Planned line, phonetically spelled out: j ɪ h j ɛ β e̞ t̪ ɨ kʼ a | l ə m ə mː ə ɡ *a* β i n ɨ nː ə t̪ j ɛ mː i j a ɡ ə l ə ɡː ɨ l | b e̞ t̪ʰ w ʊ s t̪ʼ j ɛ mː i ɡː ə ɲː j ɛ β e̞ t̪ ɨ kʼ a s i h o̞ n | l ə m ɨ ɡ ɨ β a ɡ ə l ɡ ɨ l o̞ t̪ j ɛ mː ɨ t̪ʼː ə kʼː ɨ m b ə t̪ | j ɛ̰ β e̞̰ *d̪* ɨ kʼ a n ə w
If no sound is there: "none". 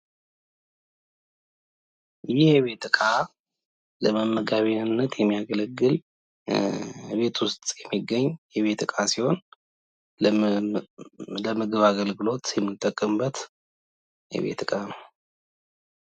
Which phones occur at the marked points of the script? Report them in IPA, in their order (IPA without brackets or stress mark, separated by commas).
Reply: a, t̪